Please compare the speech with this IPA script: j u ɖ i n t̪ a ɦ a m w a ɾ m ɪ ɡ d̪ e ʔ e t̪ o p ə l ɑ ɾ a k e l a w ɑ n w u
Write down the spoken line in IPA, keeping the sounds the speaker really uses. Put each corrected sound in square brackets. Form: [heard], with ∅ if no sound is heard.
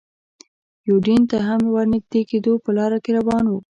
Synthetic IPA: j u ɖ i n t̪ a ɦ a m w a ɾ [n] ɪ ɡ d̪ e [k] e [d̪] o p ə l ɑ ɾ a k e [ɾ] a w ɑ n w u